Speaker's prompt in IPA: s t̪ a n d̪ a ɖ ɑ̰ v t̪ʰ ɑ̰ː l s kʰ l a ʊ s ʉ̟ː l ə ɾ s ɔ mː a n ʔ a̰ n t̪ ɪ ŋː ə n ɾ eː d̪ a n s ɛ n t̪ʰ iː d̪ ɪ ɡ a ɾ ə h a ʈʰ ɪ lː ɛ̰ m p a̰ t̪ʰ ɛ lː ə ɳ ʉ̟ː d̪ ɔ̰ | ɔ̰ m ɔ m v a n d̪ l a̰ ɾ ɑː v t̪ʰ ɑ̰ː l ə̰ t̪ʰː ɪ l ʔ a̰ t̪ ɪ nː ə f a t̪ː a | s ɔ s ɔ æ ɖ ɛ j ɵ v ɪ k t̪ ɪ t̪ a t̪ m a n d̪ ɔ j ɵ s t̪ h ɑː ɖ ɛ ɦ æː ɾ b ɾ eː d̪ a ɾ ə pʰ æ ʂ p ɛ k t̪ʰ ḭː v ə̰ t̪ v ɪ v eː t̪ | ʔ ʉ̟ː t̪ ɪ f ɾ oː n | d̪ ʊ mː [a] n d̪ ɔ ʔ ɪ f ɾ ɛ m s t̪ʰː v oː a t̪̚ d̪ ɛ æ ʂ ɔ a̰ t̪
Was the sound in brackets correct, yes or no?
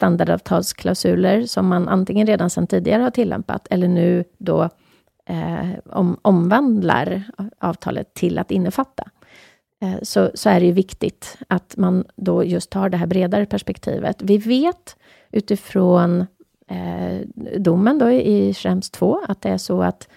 no